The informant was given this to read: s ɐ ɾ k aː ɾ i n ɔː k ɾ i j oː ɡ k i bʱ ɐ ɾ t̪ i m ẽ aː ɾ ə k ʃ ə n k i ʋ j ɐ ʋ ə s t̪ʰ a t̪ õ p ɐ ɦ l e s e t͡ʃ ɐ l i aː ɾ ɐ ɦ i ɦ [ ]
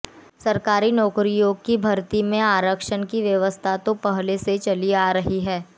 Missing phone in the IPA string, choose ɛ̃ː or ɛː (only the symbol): ɛː